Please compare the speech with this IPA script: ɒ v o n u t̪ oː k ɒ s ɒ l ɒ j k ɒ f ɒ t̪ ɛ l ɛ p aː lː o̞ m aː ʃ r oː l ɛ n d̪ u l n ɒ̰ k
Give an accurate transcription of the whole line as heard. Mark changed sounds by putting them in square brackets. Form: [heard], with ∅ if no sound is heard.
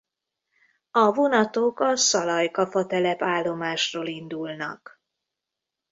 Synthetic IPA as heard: ɒ v o n [ɒ] t̪ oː k ɒ s ɒ l ɒ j k ɒ f ɒ t̪ ɛ l ɛ p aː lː o̞ m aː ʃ r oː l [i] n d̪ u l n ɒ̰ k